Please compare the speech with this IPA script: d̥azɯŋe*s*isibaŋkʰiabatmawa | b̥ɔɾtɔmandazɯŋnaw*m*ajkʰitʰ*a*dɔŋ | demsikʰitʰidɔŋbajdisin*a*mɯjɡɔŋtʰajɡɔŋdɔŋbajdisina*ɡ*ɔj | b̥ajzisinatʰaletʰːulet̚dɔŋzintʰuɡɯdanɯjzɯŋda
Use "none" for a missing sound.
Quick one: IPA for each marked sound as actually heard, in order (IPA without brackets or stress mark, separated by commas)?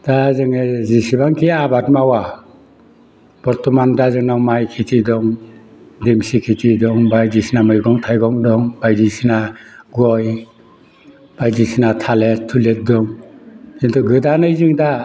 z, m, i, a, ɡ